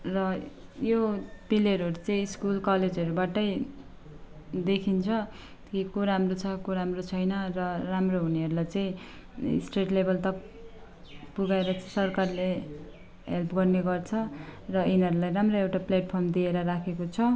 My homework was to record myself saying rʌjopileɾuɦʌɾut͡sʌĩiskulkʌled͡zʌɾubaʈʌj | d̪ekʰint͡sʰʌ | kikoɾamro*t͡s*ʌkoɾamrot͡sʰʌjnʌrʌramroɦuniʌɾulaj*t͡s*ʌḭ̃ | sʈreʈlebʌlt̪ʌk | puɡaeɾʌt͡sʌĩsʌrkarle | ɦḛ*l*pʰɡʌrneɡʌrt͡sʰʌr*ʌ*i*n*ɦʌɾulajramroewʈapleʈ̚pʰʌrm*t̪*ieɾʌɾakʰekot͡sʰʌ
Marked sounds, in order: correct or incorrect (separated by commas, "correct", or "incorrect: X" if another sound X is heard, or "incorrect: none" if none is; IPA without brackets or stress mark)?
incorrect: t͡sʰ, correct, correct, correct, correct, incorrect: d̪